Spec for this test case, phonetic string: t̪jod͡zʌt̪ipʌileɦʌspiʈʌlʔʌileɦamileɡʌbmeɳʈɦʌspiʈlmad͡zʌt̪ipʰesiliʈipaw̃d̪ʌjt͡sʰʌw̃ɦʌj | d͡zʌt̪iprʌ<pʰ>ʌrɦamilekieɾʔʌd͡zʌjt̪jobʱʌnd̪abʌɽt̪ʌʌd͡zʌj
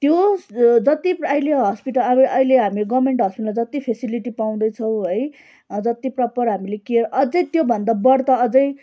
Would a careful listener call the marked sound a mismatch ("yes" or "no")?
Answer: yes